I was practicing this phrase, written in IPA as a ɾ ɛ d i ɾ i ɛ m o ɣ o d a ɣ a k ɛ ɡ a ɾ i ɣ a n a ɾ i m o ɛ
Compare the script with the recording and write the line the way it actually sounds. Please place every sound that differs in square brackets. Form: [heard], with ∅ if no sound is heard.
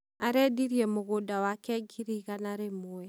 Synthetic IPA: a ɾ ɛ d i ɾ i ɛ m o ɣ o d a [w] a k ɛ ɡ [i] ɾ i ɣ a n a ɾ [e] m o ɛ